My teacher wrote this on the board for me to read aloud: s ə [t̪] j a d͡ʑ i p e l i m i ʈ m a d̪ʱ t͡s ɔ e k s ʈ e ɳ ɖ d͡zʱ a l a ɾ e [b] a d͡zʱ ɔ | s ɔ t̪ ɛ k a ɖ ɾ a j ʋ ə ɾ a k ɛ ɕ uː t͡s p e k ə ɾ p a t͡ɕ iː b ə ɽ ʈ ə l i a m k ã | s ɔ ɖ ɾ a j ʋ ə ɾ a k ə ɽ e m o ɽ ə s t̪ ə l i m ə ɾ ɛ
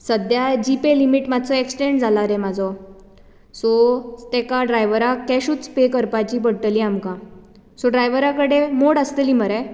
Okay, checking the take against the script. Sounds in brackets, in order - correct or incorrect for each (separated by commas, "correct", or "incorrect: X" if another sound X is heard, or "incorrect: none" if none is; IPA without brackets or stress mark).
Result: incorrect: d̪, incorrect: m